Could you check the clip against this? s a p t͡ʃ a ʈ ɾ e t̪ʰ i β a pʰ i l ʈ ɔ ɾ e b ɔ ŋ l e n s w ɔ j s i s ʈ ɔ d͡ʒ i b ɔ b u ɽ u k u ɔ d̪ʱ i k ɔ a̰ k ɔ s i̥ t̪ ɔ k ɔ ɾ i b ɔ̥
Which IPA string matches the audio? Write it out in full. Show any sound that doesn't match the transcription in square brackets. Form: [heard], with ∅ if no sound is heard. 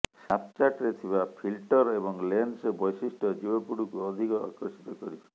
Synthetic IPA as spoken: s a p t͡ʃ a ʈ ɾ e t̪ʰ i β a pʰ i l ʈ ɔ ɾ e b ɔ ŋ l e n s [b] ɔ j s i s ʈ ɔ d͡ʒ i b ɔ [p] u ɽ u k u ɔ d̪ʱ i k ɔ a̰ k ɔ s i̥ t̪ ɔ k ɔ ɾ i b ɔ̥

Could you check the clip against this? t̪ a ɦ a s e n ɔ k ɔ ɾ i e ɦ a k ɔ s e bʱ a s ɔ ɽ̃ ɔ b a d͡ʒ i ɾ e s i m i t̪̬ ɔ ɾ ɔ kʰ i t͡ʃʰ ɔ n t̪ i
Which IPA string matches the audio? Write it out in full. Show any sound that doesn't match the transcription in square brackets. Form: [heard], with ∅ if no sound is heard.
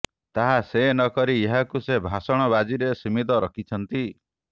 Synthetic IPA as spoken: t̪ a ɦ a s e n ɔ k ɔ ɾ i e ɦ a k [u] s e bʱ a s ɔ ɽ̃ ɔ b a d͡ʒ i ɾ e s i m i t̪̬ ɔ ɾ ɔ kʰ i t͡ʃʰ ɔ n t̪ i

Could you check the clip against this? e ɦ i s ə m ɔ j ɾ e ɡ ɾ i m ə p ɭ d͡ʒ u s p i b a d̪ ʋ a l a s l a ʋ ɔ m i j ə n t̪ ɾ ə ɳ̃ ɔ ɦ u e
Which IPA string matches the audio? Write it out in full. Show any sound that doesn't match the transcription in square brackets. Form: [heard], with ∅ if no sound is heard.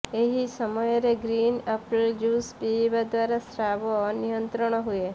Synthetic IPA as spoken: e ɦ i s ə m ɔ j ɾ e ɡ ɾ i [n] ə p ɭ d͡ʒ u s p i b a d̪ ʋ a [ɾ] a s [ɾ] a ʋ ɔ [n] i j ə n t̪ ɾ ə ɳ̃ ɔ ɦ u e

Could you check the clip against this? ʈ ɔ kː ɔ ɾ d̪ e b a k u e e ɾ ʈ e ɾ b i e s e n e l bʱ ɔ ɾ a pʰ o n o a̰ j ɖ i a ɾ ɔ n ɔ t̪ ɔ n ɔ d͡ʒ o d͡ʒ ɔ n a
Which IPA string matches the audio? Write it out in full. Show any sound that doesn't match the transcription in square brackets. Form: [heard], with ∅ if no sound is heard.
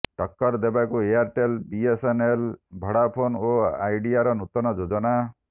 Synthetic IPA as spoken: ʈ ɔ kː ɔ ɾ d̪ e b a k u e [a] ɾ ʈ e [l] b i e s e n e l bʱ ɔ [ɽ] a pʰ o n o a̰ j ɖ i a ɾ ɔ n [u] t̪ ɔ n ɔ d͡ʒ o d͡ʒ ɔ n a

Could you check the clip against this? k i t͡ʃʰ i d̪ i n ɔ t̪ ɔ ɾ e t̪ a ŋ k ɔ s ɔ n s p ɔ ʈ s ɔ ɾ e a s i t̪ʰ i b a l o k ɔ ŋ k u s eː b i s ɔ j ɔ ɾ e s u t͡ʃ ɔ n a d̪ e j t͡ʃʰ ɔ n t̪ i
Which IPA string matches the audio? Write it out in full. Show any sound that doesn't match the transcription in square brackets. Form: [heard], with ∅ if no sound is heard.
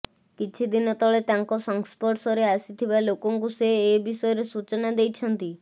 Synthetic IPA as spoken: k i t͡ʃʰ i d̪ i n ɔ t̪ ɔ [ɭ] e t̪ a ŋ k ɔ s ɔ [ŋ] s p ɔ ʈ s ɔ ɾ e a s i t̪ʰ i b a l o k ɔ ŋ k u s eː b i s ɔ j ɔ ɾ e s u t͡ʃ ɔ n a d̪ e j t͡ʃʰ ɔ n t̪ i

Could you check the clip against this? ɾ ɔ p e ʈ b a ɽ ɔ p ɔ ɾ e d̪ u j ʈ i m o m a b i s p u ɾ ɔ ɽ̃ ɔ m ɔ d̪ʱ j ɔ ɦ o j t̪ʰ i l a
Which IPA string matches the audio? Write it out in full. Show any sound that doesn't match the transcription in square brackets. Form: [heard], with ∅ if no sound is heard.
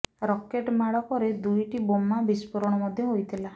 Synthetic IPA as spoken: ɾ ɔ [k] e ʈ [m] a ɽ ɔ [k] ɔ ɾ e d̪ u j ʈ i [b] o m a b i s p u ɾ ɔ ɽ̃ ɔ m ɔ d̪ʱ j ɔ ɦ o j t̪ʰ i l a

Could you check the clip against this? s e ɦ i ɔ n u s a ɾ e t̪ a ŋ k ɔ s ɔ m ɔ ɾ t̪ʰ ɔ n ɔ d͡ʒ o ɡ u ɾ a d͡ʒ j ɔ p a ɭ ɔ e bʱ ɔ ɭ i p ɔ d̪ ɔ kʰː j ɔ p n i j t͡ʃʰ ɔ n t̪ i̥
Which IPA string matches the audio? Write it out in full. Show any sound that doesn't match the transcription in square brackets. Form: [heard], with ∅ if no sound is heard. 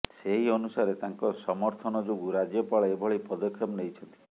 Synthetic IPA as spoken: s e ɦ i ɔ n u s a ɾ e t̪ a ŋ k ɔ s ɔ m ɔ ɾ t̪ʰ ɔ n ɔ d͡ʒ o ɡ u ɾ a d͡ʒ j ɔ p a ɭ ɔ e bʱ ɔ ɭ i p ɔ d̪ ɔ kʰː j ɔ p n [e] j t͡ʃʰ ɔ n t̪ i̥

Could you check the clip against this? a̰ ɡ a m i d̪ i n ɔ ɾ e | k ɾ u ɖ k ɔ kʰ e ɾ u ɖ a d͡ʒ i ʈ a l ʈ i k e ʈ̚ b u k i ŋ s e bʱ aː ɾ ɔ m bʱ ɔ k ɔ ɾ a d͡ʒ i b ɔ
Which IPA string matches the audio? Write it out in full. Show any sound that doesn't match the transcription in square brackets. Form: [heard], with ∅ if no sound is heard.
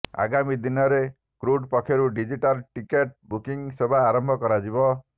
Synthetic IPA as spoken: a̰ ɡ a m i d̪ i n ɔ ɾ e | k ɾ u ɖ [p] ɔ kʰ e ɾ u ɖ [i] d͡ʒ i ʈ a l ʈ i k e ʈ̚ b u k i ŋ s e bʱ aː ɾ ɔ m bʱ ɔ k ɔ ɾ a d͡ʒ i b ɔ

